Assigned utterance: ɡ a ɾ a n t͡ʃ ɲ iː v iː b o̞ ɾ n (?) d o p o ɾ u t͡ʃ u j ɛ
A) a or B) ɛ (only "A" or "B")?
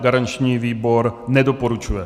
B